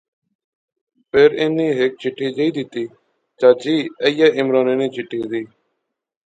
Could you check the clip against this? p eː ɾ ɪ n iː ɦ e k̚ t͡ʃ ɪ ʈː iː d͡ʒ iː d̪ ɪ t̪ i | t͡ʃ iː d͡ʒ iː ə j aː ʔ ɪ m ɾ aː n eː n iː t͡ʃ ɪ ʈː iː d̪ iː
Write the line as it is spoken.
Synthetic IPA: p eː ɾ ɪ n iː ɦ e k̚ t͡ʃ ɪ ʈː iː d͡ʒ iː d̪ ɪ t̪ iː | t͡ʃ aː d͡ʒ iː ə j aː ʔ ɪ m ɾ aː n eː n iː t͡ʃ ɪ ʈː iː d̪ iː